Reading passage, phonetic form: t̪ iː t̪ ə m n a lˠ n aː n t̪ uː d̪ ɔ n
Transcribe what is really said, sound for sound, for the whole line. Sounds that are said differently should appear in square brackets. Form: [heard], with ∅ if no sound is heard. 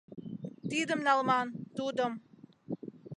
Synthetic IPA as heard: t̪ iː [d̪] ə m n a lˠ [m] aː n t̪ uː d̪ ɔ [m]

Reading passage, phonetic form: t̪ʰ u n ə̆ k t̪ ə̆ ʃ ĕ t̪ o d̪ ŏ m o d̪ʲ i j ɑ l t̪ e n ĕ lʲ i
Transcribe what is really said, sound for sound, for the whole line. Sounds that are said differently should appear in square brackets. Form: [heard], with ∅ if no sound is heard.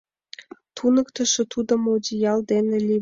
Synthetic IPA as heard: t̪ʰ u n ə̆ k t̪ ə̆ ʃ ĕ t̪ [u] d̪ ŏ m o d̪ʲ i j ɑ l [d̪] e n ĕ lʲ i

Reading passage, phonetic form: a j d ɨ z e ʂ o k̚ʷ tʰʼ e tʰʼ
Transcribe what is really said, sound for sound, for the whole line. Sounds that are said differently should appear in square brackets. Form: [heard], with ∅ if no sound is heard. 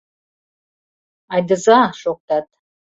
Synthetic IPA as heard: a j d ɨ z [a] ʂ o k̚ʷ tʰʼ [a] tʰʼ

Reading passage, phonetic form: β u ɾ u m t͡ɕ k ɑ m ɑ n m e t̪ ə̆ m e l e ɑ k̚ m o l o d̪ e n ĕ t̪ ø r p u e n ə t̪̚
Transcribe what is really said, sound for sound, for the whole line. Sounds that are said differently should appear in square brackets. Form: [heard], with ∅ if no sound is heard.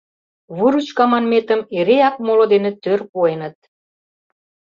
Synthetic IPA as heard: β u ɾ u [∅] t͡ɕ k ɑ m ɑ n m e t̪ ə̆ m e [ɾ] e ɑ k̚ m o l o d̪ e n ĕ t̪ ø r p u e n ə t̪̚

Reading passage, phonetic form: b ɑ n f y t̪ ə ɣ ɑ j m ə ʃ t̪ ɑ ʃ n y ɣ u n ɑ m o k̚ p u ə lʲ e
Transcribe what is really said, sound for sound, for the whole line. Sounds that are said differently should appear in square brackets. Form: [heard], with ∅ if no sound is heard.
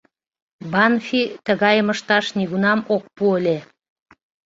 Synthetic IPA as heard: b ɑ n f [i] t̪ ə ɣ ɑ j m ə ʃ t̪ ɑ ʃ n [i] ɣ u n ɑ m o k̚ p u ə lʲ e

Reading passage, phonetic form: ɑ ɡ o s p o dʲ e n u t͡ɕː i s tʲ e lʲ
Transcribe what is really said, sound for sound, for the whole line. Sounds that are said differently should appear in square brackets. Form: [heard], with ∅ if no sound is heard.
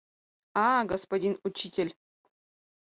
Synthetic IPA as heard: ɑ ɡ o s p o dʲ [i] n u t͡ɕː i [∅] tʲ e lʲ

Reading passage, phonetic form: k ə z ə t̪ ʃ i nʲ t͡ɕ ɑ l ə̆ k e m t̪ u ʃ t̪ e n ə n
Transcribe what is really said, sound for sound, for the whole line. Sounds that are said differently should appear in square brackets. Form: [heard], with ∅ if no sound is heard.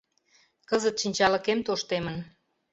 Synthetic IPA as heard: k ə z ə t̪ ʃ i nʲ t͡ɕ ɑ l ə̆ k e m t̪ [o] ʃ t̪ e [m] ə n

